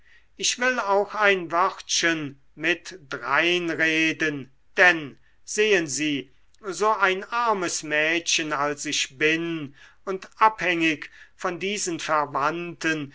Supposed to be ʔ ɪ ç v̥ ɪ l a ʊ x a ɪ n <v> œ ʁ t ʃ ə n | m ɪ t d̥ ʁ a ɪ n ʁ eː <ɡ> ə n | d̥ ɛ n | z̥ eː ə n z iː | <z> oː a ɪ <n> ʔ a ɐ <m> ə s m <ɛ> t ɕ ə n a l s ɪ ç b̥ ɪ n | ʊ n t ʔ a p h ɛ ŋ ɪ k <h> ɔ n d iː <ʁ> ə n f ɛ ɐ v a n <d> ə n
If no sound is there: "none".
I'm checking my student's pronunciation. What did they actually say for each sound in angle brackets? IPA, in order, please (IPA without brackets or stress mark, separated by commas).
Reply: v, d, z, n, m, ɛː, f, z, t